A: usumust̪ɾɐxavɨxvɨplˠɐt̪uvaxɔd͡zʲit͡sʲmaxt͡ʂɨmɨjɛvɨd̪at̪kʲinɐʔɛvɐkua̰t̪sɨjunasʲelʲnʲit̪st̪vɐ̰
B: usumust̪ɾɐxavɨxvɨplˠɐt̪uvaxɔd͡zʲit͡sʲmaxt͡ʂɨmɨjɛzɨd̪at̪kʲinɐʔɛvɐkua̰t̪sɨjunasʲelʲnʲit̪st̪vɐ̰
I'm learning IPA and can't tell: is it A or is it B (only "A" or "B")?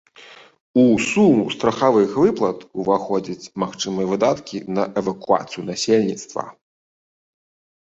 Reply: A